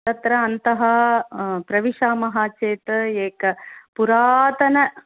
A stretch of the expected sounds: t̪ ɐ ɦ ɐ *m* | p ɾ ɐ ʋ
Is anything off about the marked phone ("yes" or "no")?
yes